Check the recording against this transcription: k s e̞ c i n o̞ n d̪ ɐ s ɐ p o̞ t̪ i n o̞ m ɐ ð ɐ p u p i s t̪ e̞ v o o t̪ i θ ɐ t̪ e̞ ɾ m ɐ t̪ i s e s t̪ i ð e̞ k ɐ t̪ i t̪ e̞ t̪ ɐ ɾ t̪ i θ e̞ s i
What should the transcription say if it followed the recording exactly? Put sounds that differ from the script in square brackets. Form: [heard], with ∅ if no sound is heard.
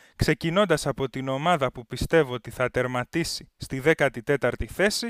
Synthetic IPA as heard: k s e̞ c i n o̞ n d̪ ɐ s ɐ p o̞ t̪ i n o̞ m ɐ ð ɐ p u p i s t̪ e̞ v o o t̪ i θ ɐ t̪ e̞ ɾ m ɐ t̪ i s [i] s t̪ i ð e̞ k ɐ t̪ i t̪ e̞ t̪ ɐ ɾ t̪ i θ e̞ s i